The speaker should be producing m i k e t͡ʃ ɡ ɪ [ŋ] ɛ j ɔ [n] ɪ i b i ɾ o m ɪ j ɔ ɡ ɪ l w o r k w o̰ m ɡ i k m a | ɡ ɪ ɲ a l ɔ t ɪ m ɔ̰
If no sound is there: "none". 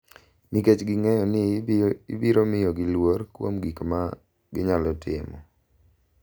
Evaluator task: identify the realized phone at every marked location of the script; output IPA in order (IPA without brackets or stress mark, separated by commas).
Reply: ŋ, n